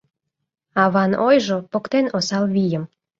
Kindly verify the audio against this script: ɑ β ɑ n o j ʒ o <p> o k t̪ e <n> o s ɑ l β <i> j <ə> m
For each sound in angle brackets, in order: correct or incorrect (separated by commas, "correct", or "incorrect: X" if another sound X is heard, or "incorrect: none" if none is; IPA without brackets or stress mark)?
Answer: correct, correct, correct, correct